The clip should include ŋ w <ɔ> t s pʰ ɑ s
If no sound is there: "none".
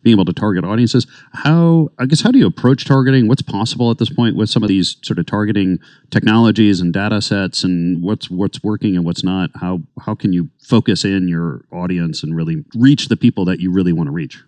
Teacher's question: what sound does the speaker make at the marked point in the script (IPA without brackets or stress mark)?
ʌ